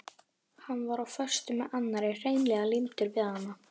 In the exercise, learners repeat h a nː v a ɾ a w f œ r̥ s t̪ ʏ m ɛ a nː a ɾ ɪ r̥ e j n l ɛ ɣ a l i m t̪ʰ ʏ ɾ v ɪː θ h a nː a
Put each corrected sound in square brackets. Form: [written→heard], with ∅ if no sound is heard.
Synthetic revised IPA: h a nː v a ɾ a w f œ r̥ s t̪ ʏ m ɛ a nː a ɾ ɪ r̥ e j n l ɛ ɣ a l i m [t̪ʰ→t̪] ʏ ɾ v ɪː [θ→ð] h a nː a